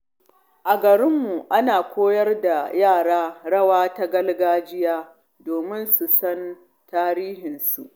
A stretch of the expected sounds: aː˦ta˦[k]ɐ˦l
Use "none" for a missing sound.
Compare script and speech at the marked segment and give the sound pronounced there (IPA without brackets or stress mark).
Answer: ɡ